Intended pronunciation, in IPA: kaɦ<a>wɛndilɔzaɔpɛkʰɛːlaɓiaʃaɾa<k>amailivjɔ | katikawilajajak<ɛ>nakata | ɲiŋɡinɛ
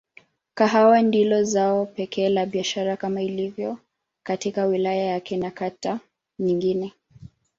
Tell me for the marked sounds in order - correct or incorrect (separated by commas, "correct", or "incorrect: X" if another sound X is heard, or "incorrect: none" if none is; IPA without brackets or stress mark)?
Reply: correct, correct, correct